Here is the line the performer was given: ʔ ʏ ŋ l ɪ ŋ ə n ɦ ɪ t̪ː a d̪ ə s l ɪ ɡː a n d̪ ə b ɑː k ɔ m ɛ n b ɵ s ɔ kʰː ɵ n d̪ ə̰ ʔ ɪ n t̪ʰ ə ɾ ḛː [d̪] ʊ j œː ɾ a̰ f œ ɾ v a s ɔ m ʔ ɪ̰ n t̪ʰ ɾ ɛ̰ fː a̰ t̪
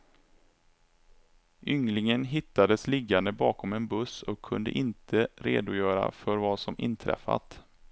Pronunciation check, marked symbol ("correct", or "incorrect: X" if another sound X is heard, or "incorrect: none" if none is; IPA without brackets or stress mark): correct